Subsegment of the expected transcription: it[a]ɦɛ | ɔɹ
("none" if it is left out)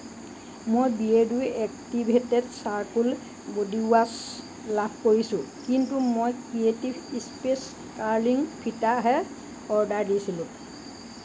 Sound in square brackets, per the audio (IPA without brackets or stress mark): a